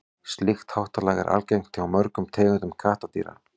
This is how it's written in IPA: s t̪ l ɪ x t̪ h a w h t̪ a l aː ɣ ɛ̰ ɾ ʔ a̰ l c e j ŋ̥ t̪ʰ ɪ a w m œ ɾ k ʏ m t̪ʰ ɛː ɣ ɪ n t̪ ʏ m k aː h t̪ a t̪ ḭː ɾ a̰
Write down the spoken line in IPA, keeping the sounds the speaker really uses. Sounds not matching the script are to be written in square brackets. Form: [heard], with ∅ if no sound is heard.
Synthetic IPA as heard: s t̪ l ɪ x t̪ h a w h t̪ a l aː ɣ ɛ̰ ɾ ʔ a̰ l c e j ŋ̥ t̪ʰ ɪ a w m œ ɾ k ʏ m t̪ʰ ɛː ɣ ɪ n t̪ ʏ m [kʰ] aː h t̪ a t̪ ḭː ɾ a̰